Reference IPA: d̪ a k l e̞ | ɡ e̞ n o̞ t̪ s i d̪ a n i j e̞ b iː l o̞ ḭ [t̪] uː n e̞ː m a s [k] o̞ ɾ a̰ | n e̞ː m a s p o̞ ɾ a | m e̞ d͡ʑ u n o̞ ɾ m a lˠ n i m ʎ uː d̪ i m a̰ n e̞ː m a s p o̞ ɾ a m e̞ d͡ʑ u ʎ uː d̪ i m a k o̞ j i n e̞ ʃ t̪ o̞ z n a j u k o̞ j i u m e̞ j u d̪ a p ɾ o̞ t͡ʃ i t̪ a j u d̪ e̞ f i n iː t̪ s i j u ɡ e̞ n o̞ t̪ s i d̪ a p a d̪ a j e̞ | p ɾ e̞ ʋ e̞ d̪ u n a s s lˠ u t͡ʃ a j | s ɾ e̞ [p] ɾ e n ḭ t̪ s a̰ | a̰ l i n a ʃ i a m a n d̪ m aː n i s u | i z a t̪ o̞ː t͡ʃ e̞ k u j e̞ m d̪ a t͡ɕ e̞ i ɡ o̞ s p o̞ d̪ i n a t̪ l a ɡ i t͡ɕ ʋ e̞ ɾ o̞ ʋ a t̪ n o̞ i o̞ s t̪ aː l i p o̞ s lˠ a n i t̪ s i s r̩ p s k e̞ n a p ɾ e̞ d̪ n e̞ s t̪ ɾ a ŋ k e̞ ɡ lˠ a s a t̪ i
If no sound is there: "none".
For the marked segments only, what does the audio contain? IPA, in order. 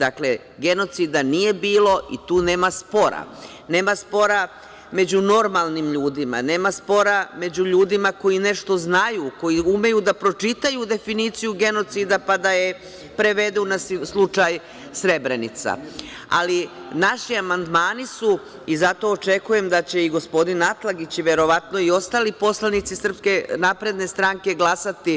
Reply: t̪, p, b

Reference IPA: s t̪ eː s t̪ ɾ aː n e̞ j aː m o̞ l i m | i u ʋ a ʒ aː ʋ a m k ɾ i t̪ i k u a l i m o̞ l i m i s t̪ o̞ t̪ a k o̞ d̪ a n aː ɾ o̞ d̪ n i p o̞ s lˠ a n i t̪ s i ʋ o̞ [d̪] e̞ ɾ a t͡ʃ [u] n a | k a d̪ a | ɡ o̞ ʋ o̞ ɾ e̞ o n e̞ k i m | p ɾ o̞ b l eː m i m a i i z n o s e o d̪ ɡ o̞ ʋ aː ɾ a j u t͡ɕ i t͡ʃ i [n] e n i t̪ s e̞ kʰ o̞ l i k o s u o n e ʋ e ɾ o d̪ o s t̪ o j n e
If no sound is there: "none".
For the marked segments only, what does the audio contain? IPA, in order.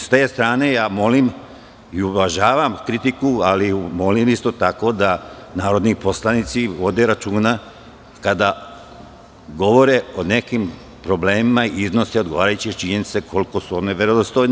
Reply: d̪, uː, ɲ

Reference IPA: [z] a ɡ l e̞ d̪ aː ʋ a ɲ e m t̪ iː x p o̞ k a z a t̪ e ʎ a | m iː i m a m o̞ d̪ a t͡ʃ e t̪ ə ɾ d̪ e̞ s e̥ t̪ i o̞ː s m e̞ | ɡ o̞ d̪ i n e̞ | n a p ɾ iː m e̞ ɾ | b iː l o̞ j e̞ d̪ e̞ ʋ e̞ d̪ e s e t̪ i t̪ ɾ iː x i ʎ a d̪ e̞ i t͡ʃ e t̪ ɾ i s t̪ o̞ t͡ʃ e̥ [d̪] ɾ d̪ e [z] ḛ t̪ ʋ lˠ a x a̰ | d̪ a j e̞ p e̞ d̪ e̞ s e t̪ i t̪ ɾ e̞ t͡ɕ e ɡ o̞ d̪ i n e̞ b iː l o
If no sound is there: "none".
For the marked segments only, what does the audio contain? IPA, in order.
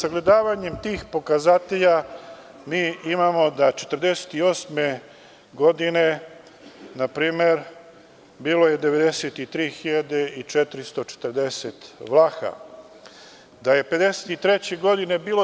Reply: s, t̪, s

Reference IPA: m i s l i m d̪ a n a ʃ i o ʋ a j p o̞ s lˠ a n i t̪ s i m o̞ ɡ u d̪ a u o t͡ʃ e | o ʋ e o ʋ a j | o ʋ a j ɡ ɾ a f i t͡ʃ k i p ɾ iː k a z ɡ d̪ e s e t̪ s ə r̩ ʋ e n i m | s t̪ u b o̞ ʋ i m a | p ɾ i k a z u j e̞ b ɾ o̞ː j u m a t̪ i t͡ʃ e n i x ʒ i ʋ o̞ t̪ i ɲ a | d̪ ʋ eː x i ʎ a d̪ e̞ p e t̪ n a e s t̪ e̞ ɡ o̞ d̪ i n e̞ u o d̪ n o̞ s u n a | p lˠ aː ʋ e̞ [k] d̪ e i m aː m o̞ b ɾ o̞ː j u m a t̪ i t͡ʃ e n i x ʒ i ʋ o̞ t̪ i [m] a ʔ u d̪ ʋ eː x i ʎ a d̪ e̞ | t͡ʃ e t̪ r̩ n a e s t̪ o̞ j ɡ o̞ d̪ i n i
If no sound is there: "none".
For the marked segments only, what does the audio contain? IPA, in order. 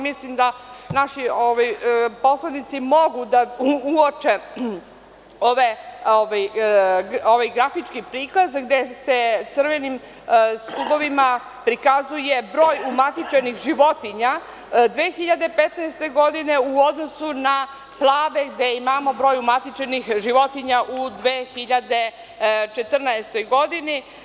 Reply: ɡ, ɲ

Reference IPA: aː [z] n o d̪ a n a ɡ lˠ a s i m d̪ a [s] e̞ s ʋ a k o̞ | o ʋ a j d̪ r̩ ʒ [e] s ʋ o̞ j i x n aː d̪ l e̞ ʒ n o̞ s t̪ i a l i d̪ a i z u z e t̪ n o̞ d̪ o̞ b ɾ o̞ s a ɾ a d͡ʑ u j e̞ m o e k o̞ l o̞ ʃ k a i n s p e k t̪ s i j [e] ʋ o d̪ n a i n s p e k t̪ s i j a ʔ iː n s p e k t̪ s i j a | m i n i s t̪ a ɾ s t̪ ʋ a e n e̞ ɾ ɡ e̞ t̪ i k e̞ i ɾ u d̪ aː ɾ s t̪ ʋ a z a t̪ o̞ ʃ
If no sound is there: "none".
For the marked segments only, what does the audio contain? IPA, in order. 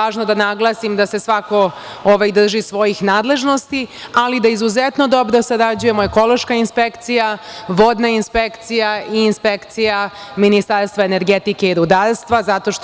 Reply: ʒ, s, i, a

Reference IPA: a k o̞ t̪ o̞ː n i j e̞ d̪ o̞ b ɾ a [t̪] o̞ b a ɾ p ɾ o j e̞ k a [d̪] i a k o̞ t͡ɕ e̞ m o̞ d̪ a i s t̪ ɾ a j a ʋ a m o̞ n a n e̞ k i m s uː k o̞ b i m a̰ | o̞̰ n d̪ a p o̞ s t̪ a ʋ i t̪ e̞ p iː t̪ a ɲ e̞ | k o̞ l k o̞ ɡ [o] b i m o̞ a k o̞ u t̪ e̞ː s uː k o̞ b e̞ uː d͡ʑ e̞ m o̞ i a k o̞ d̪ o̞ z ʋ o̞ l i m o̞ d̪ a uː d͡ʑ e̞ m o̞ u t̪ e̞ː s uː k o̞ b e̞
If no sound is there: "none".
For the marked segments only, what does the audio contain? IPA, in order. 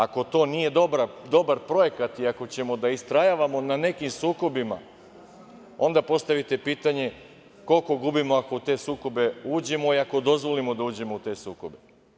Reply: d̪, t̪, u

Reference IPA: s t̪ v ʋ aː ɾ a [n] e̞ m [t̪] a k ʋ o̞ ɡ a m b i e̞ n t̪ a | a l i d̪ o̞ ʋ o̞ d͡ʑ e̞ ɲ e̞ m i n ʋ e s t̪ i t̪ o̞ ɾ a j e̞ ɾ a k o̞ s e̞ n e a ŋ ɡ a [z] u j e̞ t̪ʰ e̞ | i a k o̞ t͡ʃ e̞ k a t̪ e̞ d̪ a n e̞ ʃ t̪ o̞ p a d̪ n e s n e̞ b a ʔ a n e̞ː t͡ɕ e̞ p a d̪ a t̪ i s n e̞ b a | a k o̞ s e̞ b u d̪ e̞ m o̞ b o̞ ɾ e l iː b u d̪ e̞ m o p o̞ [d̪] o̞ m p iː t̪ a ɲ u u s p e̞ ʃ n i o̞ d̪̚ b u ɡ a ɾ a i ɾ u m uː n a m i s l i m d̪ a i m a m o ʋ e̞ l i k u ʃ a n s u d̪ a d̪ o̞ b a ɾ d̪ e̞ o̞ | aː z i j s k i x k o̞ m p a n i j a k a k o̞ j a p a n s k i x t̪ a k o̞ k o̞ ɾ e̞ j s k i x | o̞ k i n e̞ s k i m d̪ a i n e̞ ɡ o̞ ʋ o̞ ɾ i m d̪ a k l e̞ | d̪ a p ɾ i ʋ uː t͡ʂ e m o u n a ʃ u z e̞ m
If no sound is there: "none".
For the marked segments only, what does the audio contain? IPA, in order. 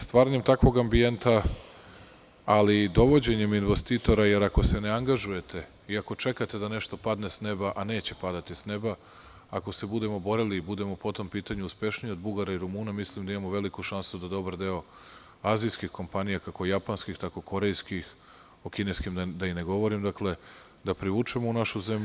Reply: ɲ, t̪, ʒ, t̪

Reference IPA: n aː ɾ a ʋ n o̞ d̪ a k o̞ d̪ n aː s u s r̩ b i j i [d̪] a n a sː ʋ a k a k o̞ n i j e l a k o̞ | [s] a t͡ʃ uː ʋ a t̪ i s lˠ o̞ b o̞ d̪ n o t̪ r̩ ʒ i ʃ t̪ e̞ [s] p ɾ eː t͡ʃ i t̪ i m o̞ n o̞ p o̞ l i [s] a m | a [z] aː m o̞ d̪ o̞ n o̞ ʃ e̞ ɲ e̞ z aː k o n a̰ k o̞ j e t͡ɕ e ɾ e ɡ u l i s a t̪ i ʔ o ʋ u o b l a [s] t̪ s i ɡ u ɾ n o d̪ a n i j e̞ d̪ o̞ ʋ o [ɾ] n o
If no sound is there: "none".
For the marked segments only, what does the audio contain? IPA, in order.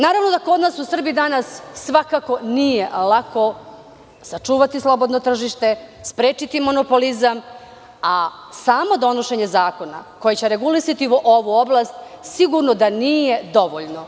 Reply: d̪, s, s, z, s, s, ʎ

